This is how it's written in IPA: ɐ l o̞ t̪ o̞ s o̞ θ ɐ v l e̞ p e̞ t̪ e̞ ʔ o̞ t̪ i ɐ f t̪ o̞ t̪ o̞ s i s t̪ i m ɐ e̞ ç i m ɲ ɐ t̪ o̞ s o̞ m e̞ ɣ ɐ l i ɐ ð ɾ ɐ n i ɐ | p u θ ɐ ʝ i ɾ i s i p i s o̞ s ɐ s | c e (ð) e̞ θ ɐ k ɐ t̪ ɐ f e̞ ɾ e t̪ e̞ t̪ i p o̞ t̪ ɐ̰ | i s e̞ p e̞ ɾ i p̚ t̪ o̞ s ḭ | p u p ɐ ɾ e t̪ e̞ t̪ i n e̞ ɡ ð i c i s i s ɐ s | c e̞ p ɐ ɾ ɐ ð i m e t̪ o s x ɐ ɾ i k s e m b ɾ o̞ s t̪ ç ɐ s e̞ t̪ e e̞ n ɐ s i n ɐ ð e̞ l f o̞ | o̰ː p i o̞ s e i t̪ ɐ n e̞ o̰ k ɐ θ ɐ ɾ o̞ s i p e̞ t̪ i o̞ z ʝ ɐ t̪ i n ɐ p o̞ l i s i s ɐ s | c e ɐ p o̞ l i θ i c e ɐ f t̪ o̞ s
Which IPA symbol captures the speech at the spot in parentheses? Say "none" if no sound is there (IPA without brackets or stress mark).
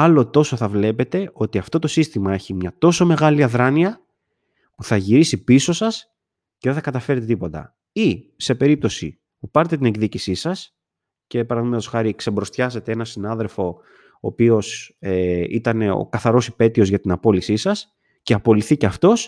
ð